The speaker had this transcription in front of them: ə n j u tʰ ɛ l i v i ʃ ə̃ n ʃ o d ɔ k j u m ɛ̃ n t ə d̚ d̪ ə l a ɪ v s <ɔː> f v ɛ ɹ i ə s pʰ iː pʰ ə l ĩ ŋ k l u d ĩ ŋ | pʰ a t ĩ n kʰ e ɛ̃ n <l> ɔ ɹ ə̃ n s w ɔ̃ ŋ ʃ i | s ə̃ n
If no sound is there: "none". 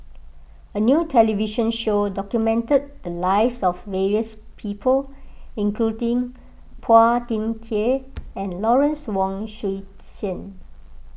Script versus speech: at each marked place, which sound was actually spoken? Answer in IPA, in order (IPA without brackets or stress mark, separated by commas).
ɔ, l